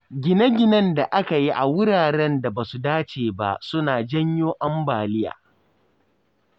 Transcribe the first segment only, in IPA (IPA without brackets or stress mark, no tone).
ɡʲ